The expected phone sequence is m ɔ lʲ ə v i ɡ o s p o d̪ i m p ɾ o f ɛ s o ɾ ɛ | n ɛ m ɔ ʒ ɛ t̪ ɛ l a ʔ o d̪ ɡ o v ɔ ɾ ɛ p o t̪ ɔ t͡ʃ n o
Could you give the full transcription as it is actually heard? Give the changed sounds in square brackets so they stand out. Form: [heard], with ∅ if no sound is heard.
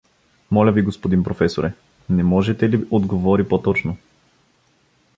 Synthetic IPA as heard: m ɔ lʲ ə v i ɡ o s p o d̪ i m p ɾ o f ɛ s o ɾ ɛ | n ɛ m ɔ ʒ ɛ t̪ ɛ l [i] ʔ o d̪ ɡ o v ɔ ɾ [i] p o t̪ ɔ t͡ʃ n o